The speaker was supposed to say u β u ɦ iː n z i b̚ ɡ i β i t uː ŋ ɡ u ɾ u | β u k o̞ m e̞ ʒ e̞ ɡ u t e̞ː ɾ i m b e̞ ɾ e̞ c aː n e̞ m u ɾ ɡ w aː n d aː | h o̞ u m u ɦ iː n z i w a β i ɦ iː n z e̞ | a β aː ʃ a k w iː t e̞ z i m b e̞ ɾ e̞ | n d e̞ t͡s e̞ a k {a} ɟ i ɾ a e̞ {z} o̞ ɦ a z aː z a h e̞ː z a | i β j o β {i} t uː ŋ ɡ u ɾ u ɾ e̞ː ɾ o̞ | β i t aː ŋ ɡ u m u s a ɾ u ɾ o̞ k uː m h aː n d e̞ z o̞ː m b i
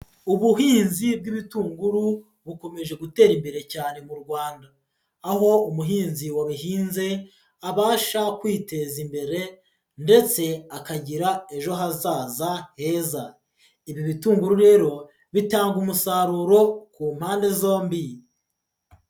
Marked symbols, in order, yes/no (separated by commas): yes, no, yes